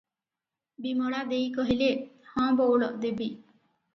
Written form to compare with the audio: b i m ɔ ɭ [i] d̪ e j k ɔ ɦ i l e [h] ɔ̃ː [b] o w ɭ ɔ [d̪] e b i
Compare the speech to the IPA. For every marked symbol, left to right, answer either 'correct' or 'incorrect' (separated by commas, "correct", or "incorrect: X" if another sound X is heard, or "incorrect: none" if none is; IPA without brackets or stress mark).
incorrect: a, correct, correct, correct